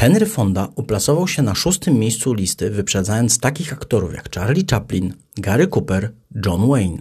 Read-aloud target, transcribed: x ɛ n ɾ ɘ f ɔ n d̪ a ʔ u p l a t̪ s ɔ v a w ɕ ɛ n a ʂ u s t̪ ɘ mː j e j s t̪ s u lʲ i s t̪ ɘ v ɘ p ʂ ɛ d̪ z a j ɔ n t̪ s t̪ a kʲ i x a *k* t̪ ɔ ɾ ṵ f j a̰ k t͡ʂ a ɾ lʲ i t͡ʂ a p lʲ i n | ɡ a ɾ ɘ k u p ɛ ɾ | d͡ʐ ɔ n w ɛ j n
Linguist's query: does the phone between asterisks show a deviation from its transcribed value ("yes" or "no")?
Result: no